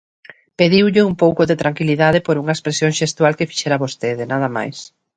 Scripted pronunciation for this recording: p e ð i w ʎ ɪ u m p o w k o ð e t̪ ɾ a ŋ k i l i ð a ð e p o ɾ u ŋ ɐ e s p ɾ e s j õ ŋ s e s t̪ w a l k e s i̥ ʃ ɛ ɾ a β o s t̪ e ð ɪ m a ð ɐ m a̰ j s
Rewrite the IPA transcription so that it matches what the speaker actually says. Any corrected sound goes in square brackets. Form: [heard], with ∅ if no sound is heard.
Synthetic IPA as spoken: p e ð i w ʎ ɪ u m p o w k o ð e t̪ ɾ a ŋ k i l i ð a ð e p o ɾ u ŋ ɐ e s p ɾ e s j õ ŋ [ʃ] e s t̪ w a l k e [f] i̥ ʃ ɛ ɾ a β o s t̪ e ð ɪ [n] a ð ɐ m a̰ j s